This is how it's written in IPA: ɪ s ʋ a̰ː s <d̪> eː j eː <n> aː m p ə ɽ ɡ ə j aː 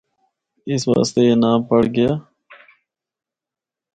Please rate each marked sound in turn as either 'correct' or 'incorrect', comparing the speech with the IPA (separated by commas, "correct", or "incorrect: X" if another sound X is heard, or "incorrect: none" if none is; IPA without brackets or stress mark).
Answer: incorrect: t̪, correct